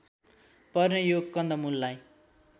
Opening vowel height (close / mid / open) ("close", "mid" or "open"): mid